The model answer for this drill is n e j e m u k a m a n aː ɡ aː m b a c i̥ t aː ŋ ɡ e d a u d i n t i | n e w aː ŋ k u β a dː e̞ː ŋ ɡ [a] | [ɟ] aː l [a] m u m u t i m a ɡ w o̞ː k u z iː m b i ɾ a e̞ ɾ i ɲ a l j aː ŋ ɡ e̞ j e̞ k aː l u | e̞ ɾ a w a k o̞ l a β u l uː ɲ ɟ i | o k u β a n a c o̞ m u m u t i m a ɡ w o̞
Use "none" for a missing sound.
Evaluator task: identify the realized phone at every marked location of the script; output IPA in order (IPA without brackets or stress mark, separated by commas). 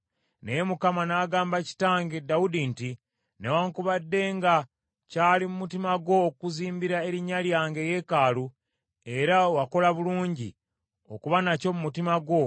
a, c, i